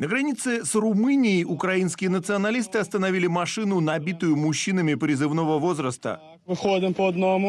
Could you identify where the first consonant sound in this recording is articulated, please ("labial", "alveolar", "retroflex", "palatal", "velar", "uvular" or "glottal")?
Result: alveolar